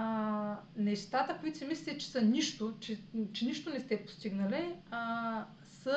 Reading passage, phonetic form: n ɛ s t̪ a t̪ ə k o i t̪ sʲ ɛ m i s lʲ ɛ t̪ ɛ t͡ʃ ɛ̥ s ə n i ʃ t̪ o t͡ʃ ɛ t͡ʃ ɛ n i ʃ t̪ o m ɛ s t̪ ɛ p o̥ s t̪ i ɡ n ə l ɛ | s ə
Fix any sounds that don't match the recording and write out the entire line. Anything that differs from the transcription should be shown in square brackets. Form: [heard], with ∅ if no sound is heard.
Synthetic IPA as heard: n ɛ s t̪ a t̪ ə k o i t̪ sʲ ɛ m i s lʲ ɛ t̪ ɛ t͡ʃ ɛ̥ s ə n i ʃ t̪ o t͡ʃ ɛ t͡ʃ ɛ n i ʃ t̪ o [n] ɛ s t̪ ɛ p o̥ s t̪ i ɡ n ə l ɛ | s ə